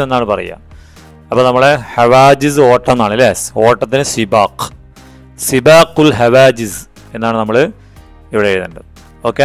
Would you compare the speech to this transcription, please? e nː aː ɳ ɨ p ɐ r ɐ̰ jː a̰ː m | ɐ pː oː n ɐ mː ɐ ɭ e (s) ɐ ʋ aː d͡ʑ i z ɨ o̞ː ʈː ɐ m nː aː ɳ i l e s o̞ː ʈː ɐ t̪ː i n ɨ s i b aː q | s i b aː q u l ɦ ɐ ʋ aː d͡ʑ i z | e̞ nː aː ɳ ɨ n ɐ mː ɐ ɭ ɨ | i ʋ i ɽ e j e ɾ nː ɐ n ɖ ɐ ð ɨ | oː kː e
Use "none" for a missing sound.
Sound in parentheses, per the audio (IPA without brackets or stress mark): h